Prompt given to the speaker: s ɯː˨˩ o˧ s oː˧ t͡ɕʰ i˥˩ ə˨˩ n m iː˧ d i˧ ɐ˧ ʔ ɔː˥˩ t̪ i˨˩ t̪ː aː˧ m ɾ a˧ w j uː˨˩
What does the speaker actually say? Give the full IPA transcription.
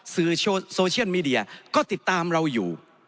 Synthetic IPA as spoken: s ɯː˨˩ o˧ s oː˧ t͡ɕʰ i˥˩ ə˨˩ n m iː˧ d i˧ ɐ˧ k ɔː˥˩ t̪ i˨˩ t̪ː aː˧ m ɾ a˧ w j uː˨˩

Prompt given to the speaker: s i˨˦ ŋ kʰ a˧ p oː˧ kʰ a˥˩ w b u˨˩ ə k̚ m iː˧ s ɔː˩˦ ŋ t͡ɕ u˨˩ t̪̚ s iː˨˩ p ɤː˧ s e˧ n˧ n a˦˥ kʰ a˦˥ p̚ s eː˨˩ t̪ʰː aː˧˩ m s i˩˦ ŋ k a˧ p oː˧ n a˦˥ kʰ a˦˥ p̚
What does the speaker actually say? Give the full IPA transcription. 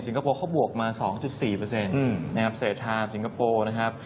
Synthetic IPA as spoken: s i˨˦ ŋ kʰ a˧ p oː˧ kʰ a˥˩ w b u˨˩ ə k̚ m aː˧ s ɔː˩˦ ŋ t͡ɕ u˨˩ t̪̚ s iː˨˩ p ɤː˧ s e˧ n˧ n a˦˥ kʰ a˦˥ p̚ s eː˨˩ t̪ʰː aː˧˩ m s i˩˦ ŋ k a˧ p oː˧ n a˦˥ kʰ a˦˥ p̚

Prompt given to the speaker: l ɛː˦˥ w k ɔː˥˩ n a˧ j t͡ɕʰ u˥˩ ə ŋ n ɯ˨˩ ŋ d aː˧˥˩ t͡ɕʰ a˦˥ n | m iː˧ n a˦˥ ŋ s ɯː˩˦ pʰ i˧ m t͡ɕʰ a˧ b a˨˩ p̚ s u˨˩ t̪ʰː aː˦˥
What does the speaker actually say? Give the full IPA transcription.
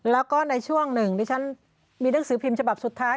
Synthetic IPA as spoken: l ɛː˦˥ w k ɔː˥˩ n a˧ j t͡ɕʰ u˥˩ ə ŋ n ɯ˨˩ ŋ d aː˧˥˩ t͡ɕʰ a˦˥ n | m iː˧ n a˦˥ ŋ s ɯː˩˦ pʰ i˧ m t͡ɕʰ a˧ b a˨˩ p̚ s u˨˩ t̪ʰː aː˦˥

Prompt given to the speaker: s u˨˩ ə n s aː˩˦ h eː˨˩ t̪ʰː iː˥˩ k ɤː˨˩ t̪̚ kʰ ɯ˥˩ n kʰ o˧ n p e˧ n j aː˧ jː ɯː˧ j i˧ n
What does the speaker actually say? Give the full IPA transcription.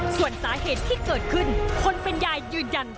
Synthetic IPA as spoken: s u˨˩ ə n s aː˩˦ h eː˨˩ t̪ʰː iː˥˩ k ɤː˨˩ t̪̚ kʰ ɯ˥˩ n kʰ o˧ n p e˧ n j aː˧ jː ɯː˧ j a˧ n

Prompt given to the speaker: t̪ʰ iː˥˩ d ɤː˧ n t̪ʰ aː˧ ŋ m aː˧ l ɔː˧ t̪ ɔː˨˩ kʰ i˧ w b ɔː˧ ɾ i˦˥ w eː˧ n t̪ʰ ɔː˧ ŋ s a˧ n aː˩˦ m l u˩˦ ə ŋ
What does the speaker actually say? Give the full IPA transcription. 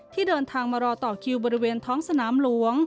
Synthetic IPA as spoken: t̪ʰ iː˥˩ d ɤː˧ n t̪ʰ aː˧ ŋ m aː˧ ɾ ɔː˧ t̪ ɔː˨˩ kʰ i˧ w b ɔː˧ ɾ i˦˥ w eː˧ n t̪ʰ ɔː˦˥ ŋ s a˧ n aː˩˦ m l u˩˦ ə ŋ

